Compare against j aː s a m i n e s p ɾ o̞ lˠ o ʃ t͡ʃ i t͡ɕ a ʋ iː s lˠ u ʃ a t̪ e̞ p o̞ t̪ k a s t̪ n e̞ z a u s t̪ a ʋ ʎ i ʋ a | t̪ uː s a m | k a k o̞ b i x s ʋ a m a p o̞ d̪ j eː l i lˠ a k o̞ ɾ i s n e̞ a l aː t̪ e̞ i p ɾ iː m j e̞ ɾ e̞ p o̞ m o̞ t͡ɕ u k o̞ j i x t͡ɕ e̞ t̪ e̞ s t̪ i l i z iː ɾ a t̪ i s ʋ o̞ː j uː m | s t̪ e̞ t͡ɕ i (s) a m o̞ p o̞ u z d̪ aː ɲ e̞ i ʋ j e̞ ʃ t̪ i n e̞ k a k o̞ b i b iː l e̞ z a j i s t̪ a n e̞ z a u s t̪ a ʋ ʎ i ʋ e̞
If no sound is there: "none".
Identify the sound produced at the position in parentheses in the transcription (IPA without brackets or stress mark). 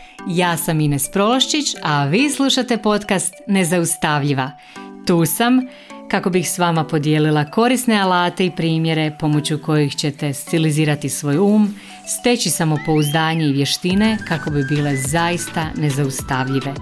s